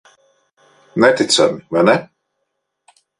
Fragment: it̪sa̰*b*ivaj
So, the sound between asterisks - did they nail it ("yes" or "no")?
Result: no